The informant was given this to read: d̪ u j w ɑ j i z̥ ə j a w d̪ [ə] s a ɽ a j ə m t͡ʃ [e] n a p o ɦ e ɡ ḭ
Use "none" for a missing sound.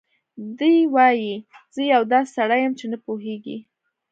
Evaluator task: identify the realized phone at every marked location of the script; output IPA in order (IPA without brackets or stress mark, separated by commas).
ɑ, e